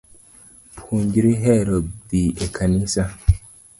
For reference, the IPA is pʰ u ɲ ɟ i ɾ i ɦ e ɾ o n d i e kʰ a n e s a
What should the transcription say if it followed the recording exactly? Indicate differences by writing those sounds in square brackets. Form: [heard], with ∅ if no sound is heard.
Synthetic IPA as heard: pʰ u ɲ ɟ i ɾ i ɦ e ɾ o [d] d i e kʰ a n [i] s a